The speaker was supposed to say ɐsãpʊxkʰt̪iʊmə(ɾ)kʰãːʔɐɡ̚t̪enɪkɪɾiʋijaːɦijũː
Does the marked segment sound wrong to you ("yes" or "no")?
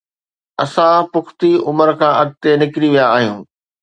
no